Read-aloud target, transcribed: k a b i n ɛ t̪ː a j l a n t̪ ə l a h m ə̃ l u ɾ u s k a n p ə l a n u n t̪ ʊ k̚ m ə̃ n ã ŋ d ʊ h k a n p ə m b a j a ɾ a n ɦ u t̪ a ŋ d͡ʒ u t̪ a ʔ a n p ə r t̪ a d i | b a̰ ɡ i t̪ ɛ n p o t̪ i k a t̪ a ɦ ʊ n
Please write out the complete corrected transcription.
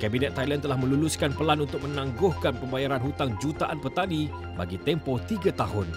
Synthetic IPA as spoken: k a b i n ɛ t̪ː a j l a n t̪ ə l a h m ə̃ l u l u s k a n p ə l a n u n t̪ ʊ k̚ m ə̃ n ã ŋ ɡ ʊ h k a n p ə m b a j a ɾ a n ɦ u t̪ a ŋ d͡ʒ u t̪ a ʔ a n p ə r t̪ a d i | b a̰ ɡ i t̪ ɛ m p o t̪ i ɡ a t̪ a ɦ ʊ n